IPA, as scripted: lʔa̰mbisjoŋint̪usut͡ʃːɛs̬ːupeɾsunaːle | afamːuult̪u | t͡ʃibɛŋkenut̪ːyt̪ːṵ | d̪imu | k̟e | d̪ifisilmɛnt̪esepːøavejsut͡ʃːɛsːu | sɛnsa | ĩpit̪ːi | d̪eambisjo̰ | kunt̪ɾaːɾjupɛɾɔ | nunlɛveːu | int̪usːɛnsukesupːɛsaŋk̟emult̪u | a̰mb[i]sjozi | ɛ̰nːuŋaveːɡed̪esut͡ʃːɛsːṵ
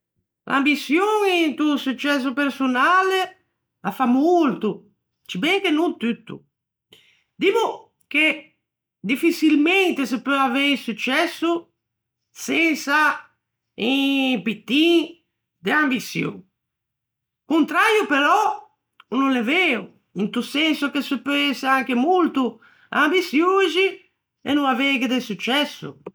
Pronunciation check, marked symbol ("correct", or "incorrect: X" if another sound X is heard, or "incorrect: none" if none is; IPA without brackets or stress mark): correct